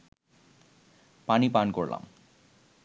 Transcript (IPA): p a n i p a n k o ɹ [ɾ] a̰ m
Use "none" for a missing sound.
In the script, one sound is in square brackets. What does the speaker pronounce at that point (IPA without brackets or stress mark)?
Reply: l